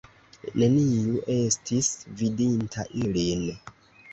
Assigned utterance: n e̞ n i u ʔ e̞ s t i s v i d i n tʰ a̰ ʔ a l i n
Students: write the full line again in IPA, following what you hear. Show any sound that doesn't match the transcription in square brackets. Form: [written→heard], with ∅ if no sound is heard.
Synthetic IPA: n e̞ n i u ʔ e̞ s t i s v i d i n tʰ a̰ ʔ [a→i] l i n